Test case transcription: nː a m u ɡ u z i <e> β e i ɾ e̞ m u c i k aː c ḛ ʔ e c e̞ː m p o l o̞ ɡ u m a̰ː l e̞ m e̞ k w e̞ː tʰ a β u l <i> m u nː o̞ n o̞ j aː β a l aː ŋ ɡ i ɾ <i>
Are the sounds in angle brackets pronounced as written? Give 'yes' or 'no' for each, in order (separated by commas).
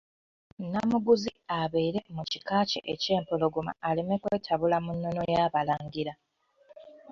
no, no, no